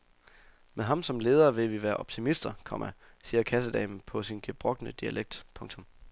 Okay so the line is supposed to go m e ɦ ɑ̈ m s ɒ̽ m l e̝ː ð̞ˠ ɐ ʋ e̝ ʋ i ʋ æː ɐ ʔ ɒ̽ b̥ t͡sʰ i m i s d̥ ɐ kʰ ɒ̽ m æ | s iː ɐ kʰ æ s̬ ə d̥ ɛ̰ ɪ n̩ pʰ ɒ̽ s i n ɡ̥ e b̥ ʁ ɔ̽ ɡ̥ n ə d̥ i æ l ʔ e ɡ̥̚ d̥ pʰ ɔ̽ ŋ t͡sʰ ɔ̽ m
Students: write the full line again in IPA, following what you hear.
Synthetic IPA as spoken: m e ɦ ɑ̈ m s ɒ̽ m l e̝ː ð̞ˠ ɐ ʋ e̝ ʋ i ʋ æː ɐ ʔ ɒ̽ b̥ t͡sʰ i m i s d̥ ɐ kʰ ɒ̽ m æ | s iː ɐ kʰ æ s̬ ə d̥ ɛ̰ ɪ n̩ pʰ ɒ̽ s i n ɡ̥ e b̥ ʁ ɔ̽ ɡ̥ n ə d̥ i æ l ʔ e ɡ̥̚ d̥ pʰ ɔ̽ ŋ t͡sʰ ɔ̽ m